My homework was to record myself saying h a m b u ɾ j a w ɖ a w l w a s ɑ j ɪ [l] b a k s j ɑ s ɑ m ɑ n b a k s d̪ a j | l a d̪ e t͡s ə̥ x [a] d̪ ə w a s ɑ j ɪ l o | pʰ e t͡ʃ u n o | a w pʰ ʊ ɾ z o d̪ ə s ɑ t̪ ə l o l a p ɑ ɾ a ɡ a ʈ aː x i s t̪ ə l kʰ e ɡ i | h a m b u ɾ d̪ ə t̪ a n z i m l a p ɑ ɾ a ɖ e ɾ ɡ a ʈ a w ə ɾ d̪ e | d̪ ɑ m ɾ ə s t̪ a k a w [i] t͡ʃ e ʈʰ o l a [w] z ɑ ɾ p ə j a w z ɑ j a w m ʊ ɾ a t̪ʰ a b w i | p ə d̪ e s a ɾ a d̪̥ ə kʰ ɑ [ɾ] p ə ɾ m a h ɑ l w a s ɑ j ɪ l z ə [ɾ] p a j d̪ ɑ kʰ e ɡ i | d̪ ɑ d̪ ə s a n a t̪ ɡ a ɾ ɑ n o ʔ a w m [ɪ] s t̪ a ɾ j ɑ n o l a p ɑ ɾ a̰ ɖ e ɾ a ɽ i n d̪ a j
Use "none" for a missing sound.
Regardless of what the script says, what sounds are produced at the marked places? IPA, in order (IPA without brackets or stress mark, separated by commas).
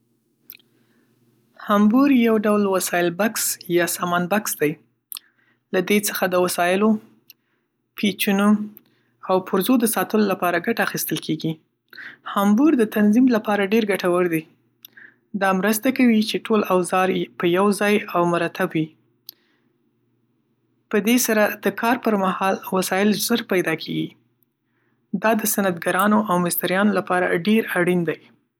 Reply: l, a, i, w, ɾ, ɾ, ɪ